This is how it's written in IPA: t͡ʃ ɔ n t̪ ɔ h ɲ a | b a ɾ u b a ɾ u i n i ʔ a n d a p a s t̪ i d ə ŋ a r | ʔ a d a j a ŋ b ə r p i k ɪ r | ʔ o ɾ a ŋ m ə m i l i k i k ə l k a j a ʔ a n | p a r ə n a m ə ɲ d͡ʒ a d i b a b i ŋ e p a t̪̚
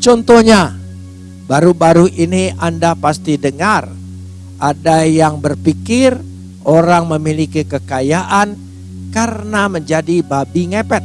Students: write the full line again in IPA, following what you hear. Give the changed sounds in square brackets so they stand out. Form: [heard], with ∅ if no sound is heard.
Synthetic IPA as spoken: t͡ʃ ɔ n t̪ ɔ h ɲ a | b a ɾ u b a ɾ u i n i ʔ a n d a p a s t̪ i d ə ŋ a r | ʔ a d a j a ŋ b ə r p i k ɪ r | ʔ o ɾ a ŋ m ə m i l i k i k ə [∅] k a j a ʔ a n | [k] a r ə n a m ə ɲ d͡ʒ a d i b a b i ŋ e p [ɛ] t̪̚